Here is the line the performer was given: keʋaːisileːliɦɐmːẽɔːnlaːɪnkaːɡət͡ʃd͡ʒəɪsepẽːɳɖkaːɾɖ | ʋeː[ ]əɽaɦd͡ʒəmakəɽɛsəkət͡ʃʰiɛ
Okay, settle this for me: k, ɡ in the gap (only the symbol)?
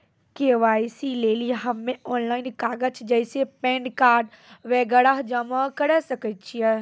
ɡ